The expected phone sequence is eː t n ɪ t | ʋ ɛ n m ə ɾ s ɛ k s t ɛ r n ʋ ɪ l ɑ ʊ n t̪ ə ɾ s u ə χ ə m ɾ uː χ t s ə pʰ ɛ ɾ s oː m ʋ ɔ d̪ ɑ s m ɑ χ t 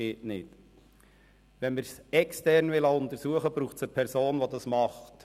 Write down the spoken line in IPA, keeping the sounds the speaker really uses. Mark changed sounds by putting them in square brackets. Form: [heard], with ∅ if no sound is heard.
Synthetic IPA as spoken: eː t n ɪ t | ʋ ɛ n m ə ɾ s ɛ k s t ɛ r n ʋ ɪ l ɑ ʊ n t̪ ə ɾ s u ə χ ə [b] ɾ uː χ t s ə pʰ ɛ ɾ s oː [n] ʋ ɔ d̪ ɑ s m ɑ χ t